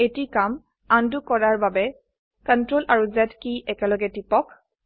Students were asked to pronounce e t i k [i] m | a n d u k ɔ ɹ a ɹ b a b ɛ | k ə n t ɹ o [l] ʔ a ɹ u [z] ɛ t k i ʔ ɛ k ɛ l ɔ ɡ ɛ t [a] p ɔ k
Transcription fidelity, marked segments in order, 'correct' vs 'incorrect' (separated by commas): incorrect, correct, correct, incorrect